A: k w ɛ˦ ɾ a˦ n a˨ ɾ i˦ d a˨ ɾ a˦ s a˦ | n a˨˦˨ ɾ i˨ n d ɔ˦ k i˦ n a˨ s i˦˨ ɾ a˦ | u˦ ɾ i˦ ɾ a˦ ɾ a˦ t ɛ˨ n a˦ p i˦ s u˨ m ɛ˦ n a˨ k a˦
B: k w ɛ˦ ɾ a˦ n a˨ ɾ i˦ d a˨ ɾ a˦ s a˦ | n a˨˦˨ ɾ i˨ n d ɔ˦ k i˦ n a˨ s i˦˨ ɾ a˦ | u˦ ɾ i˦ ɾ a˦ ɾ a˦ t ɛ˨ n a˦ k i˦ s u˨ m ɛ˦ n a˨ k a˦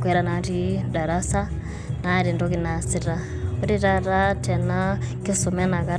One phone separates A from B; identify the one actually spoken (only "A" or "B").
B